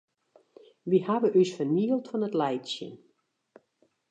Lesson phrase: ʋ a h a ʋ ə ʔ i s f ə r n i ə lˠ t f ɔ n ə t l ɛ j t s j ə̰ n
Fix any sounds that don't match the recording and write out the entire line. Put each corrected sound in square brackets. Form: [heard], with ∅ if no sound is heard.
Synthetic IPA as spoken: ʋ [i] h a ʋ ə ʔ [y] s f ə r n i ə lˠ t f ɔ n ə t l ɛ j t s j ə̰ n

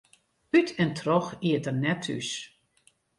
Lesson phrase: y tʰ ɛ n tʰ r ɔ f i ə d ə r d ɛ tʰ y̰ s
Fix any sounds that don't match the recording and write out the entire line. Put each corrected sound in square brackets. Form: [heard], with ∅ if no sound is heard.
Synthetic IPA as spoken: y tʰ ɛ n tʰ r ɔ [x] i ə [t] ə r [n] ɛ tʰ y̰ s

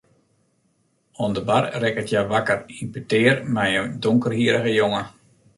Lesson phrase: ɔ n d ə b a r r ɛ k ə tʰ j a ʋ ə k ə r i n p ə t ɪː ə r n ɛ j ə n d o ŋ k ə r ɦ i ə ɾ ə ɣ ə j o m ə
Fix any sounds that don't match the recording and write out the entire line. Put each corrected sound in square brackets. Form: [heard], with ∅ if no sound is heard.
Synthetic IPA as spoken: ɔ n d ə b a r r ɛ k ə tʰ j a ʋ [a] k ə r i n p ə t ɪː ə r [m] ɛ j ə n d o ŋ k ə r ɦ i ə ɾ ə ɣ ə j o [ŋ] ə

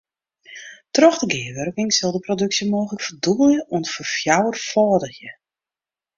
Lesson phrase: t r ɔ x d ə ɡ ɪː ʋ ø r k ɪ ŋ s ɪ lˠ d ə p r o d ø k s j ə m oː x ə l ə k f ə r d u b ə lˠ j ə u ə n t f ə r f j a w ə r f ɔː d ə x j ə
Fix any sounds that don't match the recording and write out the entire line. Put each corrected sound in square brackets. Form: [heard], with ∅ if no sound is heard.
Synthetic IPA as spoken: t r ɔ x d ə ɡ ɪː ʋ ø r k ɪ ŋ s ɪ lˠ d ə p r o d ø k s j ə m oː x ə l ə k f ə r d u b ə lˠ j ə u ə n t f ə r f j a w ə r f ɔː d ə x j ə

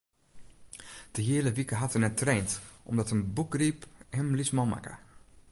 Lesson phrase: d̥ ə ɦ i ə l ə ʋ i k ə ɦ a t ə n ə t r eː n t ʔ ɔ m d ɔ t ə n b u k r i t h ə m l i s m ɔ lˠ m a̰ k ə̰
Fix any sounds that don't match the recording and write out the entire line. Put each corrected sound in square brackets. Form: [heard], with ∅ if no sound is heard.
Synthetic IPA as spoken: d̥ ə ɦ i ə l ə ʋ i k ə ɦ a t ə n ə t r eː n t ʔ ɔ m d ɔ t ə n b u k r i [p] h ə m l i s m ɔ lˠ m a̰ k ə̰

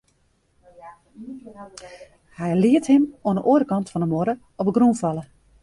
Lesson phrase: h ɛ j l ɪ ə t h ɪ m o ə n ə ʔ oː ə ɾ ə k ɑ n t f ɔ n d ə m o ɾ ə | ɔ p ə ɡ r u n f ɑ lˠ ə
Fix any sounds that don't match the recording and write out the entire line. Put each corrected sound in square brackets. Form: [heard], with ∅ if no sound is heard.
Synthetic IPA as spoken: h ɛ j l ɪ ə t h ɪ m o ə n ə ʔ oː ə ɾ ə k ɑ n t f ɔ n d ə m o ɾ ə | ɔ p ə ɡ r u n f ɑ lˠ ə

